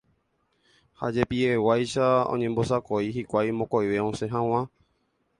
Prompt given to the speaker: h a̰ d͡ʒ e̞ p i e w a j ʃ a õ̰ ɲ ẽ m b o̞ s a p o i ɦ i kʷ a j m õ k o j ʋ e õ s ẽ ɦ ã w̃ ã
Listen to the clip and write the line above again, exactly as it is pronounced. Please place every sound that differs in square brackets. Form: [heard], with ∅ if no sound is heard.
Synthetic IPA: h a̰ d͡ʒ e̞ p i e w a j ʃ a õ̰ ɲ ẽ m b o̞ s a [k] o i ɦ i kʷ a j m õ k o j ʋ e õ s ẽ ɦ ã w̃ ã